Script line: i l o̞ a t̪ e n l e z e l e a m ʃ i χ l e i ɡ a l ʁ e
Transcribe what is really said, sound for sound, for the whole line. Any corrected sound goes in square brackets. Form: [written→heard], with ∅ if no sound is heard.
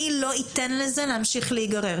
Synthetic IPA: i l o̞ [a→i] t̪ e n l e z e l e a m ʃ i χ l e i ɡ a [l→∅] ʁ e

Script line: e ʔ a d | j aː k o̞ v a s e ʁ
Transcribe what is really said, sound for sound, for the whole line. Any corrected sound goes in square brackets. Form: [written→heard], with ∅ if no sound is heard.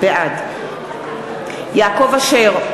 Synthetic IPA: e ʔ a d | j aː k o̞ v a [s→ʃ] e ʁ

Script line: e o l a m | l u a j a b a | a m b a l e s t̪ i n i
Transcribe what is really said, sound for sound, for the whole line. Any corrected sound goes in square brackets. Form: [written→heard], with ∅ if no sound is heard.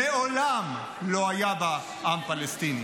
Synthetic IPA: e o l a m | l [u→o] a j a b a | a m [b→p] a l e s t̪ i n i

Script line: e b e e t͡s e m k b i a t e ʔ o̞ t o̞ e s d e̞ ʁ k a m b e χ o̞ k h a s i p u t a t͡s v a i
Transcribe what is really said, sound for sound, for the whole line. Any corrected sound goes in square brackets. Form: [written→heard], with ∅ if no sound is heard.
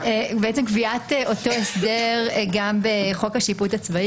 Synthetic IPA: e b e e t͡s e m k [b→v] i a t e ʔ o̞ t o̞ e s d e̞ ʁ [k→ɡ] a m b e χ o̞ k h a [s→ʃ] i p u t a t͡s v a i

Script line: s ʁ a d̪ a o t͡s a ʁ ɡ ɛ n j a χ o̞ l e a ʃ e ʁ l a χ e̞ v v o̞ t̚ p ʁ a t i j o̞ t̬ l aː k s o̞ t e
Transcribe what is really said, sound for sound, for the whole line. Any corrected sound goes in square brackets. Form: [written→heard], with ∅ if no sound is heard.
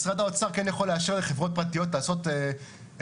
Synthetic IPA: s ʁ a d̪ a o t͡s a ʁ [ɡ→k] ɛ n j a χ o̞ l e a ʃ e ʁ l [a→e] χ e̞ v [v→ʁ] o̞ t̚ p ʁ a t i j o̞ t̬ l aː [k→∅] s o̞ t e

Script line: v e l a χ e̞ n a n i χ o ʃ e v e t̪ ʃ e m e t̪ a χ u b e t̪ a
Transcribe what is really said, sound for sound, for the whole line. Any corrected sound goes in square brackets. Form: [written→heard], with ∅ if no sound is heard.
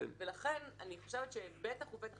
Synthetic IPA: v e l a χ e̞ n a n i χ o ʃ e v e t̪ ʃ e [m→b] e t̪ a χ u b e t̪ a

